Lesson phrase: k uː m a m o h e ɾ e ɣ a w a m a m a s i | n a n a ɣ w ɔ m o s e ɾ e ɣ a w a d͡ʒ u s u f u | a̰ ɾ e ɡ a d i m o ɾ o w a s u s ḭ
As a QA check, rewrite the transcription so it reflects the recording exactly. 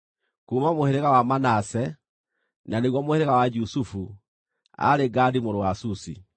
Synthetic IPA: k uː m a m o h e ɾ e ɣ a w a m a n a s ɛ | n a n e ɣ w ɔ m o h e ɾ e ɣ a w a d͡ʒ u s u f u | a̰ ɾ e ɡ a d i m o ɾ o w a s u s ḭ